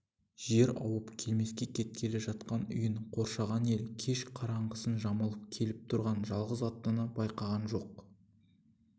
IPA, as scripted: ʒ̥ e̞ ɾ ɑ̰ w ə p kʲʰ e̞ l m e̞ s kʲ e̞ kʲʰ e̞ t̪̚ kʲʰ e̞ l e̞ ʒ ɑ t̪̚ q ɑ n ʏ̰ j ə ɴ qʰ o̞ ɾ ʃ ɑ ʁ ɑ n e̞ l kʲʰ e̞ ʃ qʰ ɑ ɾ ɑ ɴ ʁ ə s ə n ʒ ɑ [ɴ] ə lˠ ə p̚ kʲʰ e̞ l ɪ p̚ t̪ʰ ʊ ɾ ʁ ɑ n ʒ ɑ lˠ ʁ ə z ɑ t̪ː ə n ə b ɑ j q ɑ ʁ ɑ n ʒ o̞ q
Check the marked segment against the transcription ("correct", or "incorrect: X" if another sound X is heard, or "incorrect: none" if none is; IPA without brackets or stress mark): incorrect: m